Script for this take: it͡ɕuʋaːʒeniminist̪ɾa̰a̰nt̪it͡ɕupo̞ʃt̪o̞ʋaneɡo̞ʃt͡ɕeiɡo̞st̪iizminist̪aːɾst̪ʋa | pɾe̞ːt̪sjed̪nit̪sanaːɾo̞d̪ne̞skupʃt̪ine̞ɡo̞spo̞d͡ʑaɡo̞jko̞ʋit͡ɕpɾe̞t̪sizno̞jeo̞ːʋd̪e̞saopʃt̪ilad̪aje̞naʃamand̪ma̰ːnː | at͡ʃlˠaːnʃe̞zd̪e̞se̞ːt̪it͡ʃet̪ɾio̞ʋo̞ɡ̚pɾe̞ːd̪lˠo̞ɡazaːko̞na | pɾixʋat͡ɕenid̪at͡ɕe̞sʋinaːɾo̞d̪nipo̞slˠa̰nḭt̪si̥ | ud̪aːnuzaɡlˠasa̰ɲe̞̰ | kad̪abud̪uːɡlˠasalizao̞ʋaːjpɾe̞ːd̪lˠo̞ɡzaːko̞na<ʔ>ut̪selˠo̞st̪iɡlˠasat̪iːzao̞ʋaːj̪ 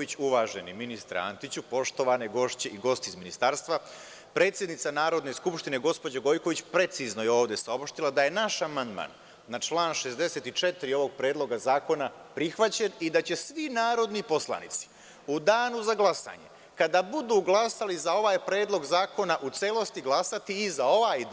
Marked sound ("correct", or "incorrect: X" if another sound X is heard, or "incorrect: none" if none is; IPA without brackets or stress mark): correct